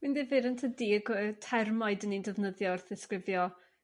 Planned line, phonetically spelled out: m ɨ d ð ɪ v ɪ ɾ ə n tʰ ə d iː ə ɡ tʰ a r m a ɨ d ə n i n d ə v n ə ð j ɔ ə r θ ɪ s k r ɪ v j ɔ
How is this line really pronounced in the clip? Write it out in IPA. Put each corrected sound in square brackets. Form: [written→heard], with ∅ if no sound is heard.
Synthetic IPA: m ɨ [d→n] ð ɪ v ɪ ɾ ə n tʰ ə d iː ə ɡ tʰ [a→ɛ] r m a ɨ d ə n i n d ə v n ə ð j ɔ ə r θ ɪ s k r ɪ v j ɔ